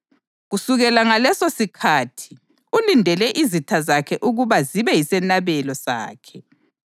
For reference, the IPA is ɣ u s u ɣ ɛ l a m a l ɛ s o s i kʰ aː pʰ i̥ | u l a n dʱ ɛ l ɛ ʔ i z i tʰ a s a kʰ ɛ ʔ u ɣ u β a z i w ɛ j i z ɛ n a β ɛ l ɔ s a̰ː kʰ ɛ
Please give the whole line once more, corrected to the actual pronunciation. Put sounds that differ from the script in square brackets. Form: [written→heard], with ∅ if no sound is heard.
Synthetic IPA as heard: ɣ u s u ɣ ɛ l a [m→ŋ] a l ɛ s o s i kʰ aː [pʰ→tʰ] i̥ | u l [a→i] n dʱ ɛ l ɛ ʔ i z i tʰ a [s→z] a kʰ ɛ ʔ u ɣ u β a z i [w→β] ɛ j i [z→s] ɛ n a β ɛ l ɔ s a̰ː kʰ ɛ